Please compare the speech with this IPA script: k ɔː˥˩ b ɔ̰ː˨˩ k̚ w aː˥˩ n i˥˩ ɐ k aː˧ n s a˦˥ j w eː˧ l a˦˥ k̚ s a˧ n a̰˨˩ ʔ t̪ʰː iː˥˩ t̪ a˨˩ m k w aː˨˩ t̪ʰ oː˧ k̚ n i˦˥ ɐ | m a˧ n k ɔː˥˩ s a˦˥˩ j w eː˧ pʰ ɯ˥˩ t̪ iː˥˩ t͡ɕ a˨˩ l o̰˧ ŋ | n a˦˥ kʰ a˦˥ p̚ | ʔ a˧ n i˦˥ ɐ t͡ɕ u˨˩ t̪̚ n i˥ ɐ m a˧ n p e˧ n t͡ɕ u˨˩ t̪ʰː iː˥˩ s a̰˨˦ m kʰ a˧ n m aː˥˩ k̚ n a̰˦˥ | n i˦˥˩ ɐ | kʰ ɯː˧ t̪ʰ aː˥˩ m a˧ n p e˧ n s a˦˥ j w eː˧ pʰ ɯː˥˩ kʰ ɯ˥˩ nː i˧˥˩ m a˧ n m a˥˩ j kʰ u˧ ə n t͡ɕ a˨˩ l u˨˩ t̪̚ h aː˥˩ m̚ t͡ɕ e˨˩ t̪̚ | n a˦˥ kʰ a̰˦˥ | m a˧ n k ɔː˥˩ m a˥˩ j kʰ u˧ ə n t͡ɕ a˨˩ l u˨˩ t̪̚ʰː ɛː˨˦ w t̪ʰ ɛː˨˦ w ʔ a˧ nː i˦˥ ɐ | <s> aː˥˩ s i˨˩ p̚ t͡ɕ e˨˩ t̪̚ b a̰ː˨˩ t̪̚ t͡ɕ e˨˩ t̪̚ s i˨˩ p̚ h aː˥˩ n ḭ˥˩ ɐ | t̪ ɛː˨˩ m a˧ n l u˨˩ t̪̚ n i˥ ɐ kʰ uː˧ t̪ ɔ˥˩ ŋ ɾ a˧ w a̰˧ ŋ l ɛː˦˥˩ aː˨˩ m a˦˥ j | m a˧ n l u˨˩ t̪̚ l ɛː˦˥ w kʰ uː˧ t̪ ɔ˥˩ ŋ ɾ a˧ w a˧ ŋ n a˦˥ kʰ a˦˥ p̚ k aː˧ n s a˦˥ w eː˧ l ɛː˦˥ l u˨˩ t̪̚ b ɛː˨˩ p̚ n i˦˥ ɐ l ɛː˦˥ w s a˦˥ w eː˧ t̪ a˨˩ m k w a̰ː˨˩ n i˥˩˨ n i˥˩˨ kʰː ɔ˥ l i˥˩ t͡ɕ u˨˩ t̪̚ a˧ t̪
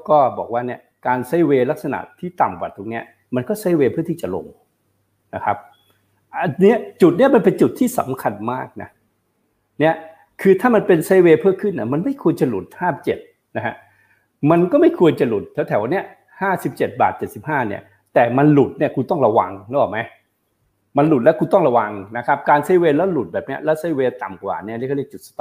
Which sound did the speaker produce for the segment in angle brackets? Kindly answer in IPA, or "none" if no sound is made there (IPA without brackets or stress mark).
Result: h